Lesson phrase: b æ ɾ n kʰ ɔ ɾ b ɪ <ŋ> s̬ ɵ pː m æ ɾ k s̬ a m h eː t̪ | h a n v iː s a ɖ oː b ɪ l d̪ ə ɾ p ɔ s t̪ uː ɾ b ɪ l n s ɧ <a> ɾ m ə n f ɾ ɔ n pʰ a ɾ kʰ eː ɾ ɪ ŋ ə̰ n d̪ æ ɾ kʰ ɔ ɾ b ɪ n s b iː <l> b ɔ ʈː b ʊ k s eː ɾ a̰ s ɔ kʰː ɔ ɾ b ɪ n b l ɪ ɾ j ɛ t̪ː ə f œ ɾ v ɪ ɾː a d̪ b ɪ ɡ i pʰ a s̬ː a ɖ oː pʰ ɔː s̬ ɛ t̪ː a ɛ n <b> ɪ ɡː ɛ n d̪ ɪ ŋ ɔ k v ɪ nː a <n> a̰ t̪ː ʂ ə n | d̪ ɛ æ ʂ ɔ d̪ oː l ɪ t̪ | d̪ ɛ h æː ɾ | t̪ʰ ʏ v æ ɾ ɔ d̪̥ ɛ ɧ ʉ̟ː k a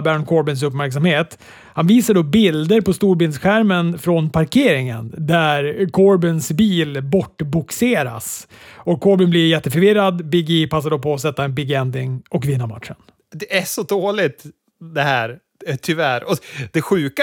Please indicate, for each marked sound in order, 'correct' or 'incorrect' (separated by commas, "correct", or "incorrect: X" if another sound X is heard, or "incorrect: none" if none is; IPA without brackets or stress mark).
incorrect: n, incorrect: æ, correct, correct, incorrect: m